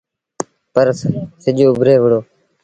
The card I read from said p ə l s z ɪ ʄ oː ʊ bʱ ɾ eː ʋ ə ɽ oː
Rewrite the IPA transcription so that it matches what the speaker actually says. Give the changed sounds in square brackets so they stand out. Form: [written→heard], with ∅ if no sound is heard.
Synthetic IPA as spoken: p ə [l→ɾ] s [z→s] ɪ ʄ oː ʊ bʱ ɾ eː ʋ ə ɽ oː